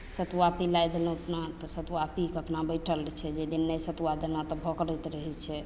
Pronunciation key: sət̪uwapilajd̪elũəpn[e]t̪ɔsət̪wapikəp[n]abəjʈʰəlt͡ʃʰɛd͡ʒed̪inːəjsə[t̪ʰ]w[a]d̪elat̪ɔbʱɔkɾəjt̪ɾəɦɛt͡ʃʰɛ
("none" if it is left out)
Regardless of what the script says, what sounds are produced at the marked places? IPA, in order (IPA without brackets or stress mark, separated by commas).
a, n, t̪, a